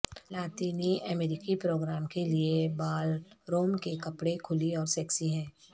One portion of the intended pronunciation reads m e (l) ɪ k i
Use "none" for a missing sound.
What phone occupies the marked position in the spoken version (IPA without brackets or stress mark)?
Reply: ɾ